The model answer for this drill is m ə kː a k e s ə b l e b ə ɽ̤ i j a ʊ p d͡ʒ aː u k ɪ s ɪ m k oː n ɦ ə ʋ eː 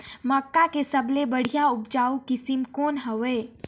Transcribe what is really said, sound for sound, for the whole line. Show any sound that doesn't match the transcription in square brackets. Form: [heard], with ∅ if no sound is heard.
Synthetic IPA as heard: m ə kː a k e s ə b l e b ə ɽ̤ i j a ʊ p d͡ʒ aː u k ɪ s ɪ m k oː n ɦ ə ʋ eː